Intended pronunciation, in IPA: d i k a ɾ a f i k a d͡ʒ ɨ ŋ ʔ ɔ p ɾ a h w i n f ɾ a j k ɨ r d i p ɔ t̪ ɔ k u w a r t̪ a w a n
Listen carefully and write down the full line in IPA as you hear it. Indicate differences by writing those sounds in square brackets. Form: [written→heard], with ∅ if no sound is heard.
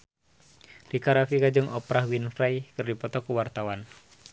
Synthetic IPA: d i k a ɾ a f i k a d͡ʒ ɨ ŋ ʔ ɔ p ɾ a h w i n f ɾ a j k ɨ r d i p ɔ t̪ ɔ k u w a r t̪ a w a n